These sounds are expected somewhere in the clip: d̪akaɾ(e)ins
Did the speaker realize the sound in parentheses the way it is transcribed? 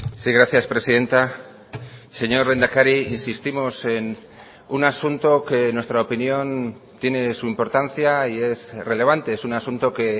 no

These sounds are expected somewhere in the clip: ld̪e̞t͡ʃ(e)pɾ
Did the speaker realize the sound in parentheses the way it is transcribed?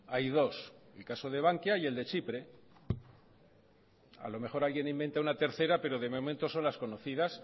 no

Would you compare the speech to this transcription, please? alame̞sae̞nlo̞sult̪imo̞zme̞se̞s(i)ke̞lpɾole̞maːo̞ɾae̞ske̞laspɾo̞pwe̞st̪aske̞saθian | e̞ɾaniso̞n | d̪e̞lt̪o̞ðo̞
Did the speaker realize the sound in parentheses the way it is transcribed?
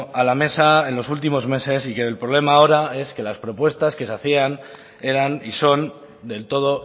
yes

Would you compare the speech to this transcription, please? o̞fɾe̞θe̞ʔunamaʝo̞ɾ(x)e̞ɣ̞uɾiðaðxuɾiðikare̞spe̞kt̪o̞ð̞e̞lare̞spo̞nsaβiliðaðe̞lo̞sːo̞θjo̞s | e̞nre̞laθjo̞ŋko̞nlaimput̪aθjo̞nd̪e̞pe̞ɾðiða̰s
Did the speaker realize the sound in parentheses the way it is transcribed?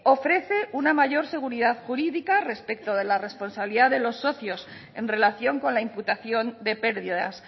no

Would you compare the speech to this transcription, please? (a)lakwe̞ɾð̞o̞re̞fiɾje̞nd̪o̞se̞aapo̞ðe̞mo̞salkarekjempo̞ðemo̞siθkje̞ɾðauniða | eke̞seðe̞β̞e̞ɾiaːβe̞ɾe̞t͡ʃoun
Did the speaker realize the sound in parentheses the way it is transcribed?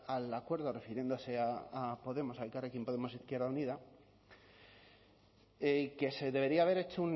yes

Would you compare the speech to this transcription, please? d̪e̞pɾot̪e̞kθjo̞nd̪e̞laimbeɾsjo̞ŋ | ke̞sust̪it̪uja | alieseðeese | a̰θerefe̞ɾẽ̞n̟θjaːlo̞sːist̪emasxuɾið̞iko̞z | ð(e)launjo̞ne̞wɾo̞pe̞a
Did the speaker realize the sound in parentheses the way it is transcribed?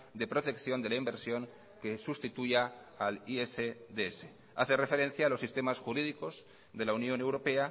yes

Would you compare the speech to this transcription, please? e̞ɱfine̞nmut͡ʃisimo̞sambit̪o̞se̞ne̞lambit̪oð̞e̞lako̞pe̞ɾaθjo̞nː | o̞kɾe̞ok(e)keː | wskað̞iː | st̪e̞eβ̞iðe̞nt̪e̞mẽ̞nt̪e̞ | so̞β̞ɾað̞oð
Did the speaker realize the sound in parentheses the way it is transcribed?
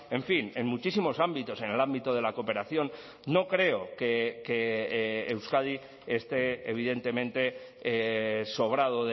yes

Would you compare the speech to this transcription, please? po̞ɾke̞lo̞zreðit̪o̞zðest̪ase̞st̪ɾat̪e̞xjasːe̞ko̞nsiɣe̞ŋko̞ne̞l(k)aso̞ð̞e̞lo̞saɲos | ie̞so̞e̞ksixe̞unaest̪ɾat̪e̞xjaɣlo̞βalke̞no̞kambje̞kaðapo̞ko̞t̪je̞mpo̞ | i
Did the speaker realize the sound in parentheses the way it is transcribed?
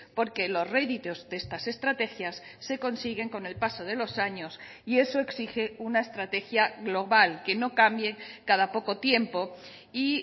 no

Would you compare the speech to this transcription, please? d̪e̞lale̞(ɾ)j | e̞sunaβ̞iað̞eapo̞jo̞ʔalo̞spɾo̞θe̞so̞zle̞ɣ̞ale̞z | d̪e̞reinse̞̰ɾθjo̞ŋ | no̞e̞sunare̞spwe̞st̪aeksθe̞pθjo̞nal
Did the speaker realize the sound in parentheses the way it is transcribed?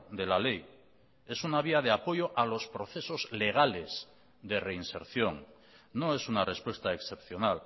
no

